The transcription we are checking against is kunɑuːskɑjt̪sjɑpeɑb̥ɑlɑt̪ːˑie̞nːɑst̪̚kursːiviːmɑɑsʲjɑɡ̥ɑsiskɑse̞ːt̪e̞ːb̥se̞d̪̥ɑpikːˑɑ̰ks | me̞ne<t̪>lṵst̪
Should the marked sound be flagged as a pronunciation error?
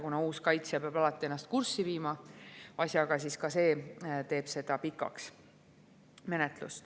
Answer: no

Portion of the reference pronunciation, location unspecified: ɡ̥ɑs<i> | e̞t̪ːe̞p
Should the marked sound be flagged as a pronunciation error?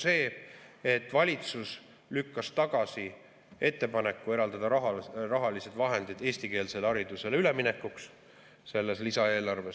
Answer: no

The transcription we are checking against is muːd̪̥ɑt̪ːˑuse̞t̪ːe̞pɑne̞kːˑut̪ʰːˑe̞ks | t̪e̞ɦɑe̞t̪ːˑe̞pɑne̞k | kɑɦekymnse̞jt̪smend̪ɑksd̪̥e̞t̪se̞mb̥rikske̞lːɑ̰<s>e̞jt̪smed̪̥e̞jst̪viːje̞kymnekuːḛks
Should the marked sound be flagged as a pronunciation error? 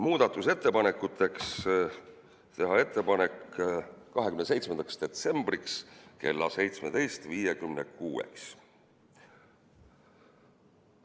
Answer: no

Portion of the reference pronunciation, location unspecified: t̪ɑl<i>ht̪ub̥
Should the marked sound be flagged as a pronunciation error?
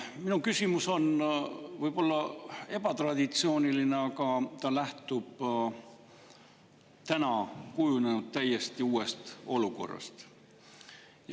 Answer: yes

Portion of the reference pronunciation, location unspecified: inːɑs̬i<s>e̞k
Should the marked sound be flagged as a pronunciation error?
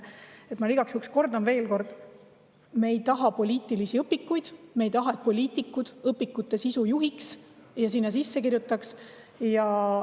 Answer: yes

